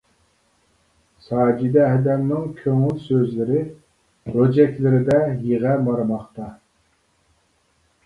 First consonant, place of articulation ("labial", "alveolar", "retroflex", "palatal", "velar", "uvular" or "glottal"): alveolar